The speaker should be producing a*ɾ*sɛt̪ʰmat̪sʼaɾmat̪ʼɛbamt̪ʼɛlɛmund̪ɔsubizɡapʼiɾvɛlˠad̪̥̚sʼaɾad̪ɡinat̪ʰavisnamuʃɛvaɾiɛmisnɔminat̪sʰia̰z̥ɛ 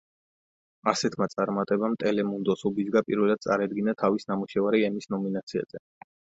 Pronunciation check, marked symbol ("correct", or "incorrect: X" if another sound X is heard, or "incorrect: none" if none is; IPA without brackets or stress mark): incorrect: none